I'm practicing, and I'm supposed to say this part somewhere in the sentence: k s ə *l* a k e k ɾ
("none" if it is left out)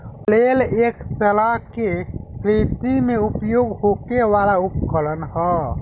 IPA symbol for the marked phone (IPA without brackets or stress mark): l